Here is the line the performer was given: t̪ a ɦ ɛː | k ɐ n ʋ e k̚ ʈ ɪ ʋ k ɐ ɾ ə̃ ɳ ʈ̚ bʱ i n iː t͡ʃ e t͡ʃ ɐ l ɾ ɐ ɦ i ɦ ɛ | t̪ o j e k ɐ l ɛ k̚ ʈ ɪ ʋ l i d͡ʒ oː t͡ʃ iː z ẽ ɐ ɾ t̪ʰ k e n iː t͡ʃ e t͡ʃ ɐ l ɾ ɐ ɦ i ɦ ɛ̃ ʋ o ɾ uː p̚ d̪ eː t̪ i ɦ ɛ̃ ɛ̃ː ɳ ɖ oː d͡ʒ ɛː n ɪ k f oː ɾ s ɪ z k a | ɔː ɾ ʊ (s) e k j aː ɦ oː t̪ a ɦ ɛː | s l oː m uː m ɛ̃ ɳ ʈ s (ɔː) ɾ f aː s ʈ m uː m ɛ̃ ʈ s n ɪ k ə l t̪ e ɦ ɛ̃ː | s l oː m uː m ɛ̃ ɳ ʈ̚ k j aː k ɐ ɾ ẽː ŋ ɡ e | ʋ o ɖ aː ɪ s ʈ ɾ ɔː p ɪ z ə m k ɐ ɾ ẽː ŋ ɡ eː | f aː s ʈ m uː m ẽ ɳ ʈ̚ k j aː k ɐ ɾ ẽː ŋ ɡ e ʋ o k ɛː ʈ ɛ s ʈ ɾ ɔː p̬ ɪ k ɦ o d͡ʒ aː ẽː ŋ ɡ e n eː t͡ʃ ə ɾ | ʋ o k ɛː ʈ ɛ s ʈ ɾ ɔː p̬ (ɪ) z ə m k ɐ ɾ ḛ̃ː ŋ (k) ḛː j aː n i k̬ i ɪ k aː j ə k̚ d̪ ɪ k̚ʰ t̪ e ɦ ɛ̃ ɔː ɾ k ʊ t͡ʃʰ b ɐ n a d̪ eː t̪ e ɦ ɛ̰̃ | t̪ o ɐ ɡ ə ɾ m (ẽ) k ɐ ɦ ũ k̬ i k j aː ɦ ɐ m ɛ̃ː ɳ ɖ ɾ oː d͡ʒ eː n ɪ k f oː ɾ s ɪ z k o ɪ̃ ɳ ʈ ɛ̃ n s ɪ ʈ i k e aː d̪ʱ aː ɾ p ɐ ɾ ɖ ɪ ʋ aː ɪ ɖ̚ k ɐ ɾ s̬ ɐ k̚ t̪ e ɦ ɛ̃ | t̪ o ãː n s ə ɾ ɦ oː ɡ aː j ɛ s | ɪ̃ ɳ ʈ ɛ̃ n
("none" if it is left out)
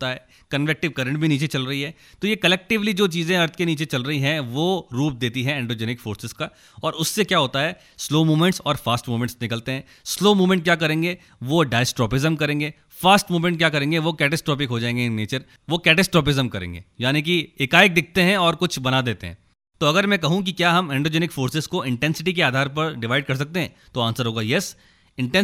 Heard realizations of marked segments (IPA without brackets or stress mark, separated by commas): sː, ɔː, ɪ, ɡ, ɛ̃